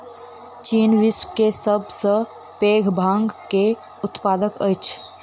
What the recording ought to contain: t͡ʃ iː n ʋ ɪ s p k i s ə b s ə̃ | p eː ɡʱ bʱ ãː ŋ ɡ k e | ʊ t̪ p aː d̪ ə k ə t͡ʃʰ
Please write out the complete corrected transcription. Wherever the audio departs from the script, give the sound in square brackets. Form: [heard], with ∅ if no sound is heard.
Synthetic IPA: t͡ʃ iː n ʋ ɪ s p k [e] s ə b s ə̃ | p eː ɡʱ bʱ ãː ŋ ɡ k e | ʊ t̪ p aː d̪ ə k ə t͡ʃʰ